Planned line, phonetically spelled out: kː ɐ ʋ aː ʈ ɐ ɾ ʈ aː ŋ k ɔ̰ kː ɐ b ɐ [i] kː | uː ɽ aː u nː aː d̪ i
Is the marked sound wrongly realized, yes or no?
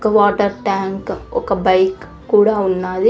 yes